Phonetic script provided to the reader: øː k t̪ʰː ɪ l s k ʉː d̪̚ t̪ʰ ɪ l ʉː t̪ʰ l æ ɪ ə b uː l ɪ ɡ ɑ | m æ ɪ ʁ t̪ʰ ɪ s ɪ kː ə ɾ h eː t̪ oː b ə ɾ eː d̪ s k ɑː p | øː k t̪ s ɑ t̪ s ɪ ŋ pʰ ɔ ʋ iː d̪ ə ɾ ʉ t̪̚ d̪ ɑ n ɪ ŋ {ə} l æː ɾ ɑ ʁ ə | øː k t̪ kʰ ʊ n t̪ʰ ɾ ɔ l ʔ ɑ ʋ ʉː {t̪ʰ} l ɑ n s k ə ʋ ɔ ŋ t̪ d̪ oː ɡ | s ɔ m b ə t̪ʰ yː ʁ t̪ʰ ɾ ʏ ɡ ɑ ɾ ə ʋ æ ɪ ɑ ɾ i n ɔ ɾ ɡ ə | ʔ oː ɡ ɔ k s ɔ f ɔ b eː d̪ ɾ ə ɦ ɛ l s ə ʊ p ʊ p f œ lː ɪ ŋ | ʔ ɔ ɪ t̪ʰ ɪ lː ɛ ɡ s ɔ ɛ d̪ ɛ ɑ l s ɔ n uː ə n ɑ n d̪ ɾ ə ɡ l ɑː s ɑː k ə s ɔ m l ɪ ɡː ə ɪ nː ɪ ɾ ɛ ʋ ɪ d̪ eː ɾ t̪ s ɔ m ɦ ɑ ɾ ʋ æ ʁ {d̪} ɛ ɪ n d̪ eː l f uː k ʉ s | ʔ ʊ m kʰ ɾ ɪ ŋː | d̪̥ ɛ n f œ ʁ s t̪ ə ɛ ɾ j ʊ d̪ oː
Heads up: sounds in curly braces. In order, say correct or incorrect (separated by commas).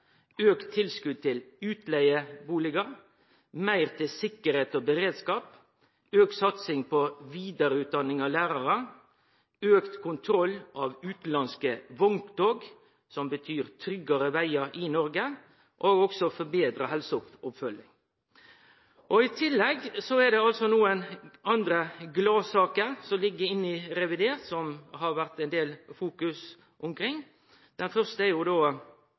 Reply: incorrect, incorrect, incorrect